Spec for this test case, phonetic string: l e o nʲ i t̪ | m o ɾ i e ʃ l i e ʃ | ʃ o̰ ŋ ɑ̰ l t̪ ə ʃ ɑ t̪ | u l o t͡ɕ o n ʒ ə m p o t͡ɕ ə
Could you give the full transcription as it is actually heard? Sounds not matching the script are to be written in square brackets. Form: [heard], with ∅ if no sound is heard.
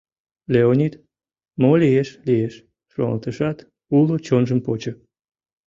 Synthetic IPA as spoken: l e o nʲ i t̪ | m o [l] i e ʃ l i e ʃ | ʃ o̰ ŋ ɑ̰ l t̪ ə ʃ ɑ t̪ | u l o t͡ɕ o n ʒ ə m p o t͡ɕ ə